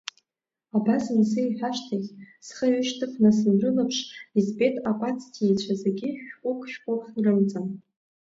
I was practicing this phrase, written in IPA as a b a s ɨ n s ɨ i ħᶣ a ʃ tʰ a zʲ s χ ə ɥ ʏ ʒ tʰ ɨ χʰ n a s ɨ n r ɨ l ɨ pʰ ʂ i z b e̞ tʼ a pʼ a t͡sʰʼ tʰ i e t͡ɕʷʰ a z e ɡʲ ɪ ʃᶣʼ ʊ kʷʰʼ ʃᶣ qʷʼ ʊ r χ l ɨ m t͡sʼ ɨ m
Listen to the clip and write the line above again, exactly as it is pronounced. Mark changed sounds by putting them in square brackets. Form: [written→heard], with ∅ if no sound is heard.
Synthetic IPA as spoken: a b a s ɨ n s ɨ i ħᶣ a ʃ tʰ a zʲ s χ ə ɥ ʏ [ʒ→ʃ] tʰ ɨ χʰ n a s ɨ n r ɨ l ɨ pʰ ʂ i z b e̞ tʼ a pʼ a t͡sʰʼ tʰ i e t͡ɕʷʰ a z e ɡʲ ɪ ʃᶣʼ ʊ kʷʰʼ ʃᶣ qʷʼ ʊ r χ [l→r] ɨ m t͡sʼ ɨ m